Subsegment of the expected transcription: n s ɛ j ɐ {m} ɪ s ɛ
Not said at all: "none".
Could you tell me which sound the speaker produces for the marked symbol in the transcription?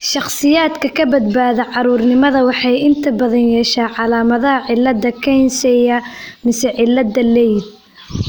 m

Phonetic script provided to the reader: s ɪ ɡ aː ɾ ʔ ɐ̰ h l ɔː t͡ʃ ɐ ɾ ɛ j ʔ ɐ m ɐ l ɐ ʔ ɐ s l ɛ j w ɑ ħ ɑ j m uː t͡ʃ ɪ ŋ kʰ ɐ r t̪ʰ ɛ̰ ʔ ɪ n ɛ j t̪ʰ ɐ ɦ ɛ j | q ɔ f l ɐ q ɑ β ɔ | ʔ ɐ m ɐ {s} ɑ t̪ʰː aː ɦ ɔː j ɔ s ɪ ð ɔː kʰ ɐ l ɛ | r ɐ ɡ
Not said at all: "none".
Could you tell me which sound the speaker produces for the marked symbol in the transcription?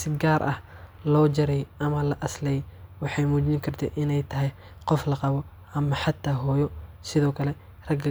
ħ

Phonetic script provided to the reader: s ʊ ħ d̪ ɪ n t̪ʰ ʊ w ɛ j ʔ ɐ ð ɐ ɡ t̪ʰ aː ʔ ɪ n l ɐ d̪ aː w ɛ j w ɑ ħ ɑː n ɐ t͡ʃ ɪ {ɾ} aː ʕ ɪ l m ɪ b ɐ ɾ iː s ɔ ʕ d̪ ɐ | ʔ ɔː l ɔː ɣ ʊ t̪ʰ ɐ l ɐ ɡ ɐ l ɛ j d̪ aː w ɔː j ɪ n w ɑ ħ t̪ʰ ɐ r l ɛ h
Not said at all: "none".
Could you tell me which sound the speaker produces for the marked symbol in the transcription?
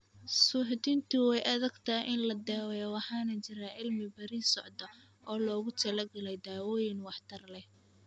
ɾ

